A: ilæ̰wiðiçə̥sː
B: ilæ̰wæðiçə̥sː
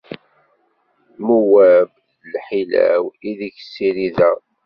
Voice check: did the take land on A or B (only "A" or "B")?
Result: A